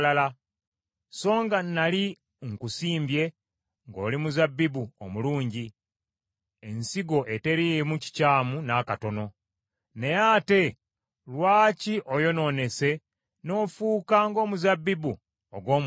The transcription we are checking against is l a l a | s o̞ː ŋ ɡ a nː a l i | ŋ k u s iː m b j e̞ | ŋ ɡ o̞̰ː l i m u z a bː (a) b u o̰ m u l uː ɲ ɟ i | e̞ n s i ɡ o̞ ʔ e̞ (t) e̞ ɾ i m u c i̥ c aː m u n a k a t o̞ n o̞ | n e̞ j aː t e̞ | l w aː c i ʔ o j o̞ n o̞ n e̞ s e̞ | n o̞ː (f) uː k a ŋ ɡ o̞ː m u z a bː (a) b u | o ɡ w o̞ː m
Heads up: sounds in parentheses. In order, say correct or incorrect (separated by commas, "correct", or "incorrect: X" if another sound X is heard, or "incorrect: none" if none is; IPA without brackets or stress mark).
incorrect: i, correct, correct, incorrect: i